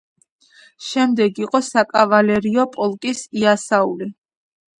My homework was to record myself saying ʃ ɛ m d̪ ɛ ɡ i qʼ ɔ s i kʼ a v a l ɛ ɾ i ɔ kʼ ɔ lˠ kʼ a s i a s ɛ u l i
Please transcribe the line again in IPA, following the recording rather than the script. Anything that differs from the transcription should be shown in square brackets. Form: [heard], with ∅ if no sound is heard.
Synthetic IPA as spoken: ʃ ɛ m d̪ ɛ ɡ i qʼ ɔ s [a] kʼ a v a l ɛ ɾ i ɔ [pʼ] ɔ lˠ kʼ [i] s i a s [a] u l i

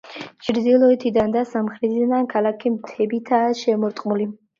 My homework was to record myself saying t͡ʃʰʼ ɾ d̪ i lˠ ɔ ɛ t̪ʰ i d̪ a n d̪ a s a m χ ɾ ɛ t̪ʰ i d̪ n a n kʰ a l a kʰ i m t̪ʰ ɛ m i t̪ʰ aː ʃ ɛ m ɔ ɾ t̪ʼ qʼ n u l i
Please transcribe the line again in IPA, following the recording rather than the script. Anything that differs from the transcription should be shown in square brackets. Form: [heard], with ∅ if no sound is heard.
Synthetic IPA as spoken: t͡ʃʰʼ ɾ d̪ i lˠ ɔ ɛ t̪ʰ i d̪ a n d̪ a s a m χ ɾ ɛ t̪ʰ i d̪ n a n kʰ a l a kʰ i m t̪ʰ ɛ [b] i t̪ʰ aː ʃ ɛ m ɔ ɾ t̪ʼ qʼ [m] u l i

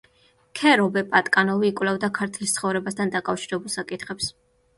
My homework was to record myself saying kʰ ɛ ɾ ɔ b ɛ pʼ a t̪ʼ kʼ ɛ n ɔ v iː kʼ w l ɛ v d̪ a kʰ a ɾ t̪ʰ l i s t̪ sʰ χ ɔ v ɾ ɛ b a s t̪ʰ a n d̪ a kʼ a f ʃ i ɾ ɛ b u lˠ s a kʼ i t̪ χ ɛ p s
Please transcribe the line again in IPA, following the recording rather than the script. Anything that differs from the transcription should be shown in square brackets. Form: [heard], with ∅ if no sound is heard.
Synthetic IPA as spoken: kʰ ɛ ɾ ɔ b ɛ pʼ a t̪ʼ kʼ [a] n ɔ v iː kʼ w l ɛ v d̪ a kʰ a ɾ t̪ʰ l i s t̪ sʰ χ ɔ v ɾ ɛ b a s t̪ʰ a n d̪ a kʼ a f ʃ i ɾ ɛ b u lˠ s a kʼ i t̪ χ ɛ p s

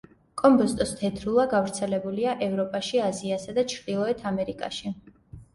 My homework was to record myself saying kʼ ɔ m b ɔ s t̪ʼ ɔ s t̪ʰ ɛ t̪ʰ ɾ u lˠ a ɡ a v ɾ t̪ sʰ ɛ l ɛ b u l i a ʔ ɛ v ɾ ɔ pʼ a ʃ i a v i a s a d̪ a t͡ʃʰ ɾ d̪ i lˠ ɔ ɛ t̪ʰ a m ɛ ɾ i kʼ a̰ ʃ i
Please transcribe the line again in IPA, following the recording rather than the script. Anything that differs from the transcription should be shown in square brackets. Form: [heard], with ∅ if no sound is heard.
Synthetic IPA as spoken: kʼ ɔ m b ɔ s t̪ʼ ɔ s t̪ʰ ɛ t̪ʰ ɾ u lˠ a ɡ a v ɾ t̪ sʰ ɛ l ɛ b u l i a ʔ ɛ v ɾ ɔ pʼ a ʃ i a [z] i a s a d̪ a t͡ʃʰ ɾ d̪ i lˠ ɔ ɛ t̪ʰ a m ɛ ɾ i kʼ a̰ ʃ i

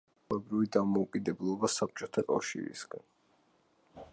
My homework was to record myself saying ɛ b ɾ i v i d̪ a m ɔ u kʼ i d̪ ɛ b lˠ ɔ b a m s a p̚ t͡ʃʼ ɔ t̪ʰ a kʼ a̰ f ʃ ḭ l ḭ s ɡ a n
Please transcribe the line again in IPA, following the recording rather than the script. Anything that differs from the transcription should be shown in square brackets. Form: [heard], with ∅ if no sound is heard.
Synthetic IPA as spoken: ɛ b ɾ i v i d̪ a m ɔ u kʼ i d̪ ɛ b lˠ ɔ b a [∅] s a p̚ t͡ʃʼ ɔ t̪ʰ a kʼ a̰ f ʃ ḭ [ɾ] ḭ s ɡ a n

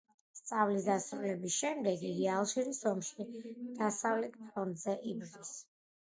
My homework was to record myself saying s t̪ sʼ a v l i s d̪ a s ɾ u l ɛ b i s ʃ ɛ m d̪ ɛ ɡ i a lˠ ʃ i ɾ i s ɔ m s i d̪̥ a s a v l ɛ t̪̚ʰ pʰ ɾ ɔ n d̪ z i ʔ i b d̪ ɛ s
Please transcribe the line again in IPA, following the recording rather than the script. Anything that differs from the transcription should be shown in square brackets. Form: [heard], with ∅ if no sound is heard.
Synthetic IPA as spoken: s t̪ sʼ a v l i s d̪ a s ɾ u l ɛ b i s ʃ ɛ m d̪ ɛ ɡ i a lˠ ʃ i ɾ i s ɔ m [ʃ] i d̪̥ a s a v l ɛ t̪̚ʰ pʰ ɾ ɔ n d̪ z [ɛ] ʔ i b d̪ [i] s

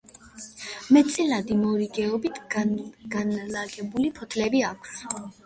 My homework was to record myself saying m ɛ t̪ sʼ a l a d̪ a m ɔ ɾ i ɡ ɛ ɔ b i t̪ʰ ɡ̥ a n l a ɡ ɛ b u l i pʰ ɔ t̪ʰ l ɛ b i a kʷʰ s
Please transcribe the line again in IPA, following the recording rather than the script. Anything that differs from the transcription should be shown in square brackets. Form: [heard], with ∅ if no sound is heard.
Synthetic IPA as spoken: m ɛ t̪ sʼ [i] l a d̪ [i] m ɔ ɾ i ɡ ɛ ɔ b i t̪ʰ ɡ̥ a n l a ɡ ɛ b u l i pʰ ɔ t̪ʰ l ɛ b i a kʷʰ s

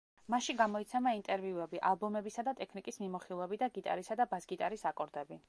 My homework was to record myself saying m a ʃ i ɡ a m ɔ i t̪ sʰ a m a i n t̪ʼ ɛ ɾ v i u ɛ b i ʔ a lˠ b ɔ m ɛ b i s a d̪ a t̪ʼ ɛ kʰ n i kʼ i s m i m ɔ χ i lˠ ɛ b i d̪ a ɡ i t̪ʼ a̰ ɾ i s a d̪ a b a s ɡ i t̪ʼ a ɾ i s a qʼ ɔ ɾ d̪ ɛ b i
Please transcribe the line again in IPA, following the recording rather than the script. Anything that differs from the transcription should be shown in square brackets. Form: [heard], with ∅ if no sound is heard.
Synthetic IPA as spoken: m a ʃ i ɡ a m ɔ i t̪ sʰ [ɛ] m a i n t̪ʼ ɛ ɾ v i u ɛ b i ʔ a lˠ b ɔ m ɛ b i s a d̪ a t̪ʼ ɛ kʰ n i kʼ i s m i m ɔ χ i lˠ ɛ b i d̪ a ɡ i t̪ʼ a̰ ɾ i s a d̪ a b a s ɡ i t̪ʼ a ɾ i s a [kʼ] ɔ ɾ d̪ ɛ b i

